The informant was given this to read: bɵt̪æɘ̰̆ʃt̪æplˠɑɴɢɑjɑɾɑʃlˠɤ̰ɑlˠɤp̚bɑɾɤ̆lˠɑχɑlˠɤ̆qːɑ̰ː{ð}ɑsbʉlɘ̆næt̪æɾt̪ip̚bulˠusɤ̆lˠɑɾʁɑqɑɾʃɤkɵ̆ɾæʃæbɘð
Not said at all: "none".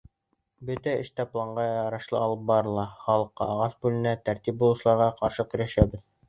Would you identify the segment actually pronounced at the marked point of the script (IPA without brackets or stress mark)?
ʁ